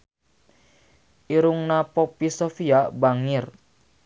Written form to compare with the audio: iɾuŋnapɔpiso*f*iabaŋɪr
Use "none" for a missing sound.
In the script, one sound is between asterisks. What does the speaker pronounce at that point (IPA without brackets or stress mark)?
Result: f